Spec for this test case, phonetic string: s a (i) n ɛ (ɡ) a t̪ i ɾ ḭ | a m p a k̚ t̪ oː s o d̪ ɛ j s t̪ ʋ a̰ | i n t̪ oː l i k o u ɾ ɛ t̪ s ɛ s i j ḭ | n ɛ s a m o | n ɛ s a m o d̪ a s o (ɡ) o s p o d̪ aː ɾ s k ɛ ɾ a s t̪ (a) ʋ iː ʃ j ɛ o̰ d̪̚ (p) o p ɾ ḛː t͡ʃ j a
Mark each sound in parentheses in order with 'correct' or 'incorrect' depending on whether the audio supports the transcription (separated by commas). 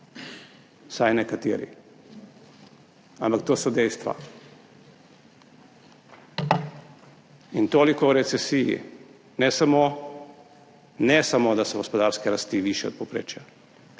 incorrect, incorrect, correct, incorrect, correct